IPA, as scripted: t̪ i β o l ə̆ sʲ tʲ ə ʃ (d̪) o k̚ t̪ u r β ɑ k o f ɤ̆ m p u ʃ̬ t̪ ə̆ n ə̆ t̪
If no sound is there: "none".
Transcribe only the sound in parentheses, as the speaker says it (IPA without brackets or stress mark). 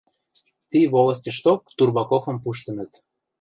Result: t̪